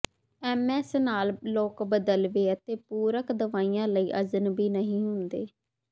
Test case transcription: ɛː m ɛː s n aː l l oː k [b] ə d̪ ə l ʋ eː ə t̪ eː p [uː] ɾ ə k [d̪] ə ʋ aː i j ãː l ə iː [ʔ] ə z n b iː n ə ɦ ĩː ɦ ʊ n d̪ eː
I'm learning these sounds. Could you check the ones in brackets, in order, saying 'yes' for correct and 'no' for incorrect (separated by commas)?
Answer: yes, yes, yes, yes